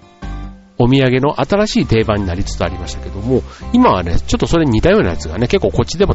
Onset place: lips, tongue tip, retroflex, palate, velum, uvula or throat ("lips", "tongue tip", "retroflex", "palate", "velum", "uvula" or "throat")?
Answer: lips